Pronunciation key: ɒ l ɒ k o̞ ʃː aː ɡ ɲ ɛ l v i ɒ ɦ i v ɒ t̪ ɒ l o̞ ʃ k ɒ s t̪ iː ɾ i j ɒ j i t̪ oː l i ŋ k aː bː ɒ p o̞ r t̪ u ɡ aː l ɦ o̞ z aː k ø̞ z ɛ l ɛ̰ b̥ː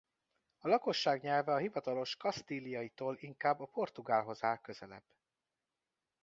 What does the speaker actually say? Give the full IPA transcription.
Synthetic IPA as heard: ɒ l ɒ k o̞ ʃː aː ɡ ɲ ɛ l v ɛ ɒ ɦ i v ɒ t̪ ɒ l o̞ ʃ k ɒ s t̪ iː l i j ɒ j i t̪ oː l i ŋ k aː bː ɒ p o̞ r t̪ u ɡ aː l ɦ o̞ z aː k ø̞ z ɛ l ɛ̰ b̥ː